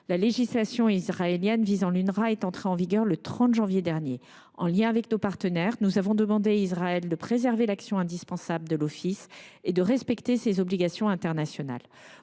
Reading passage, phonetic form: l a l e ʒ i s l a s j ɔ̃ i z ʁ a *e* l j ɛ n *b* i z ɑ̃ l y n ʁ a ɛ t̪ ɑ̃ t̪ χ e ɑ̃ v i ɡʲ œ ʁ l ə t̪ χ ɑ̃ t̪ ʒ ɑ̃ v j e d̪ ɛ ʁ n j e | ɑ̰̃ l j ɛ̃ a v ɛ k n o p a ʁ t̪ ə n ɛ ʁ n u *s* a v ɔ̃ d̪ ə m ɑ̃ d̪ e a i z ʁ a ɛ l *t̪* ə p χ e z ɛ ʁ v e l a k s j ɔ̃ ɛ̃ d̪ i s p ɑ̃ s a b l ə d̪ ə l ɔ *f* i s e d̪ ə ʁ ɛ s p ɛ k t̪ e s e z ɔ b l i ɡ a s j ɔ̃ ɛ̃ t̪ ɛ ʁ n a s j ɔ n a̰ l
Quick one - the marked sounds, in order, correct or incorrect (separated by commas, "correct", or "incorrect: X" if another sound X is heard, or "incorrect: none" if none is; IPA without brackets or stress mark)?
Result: correct, incorrect: v, incorrect: z, incorrect: d̪, correct